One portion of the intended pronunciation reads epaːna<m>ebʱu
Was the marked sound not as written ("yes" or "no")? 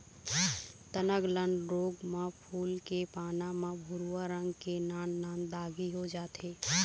no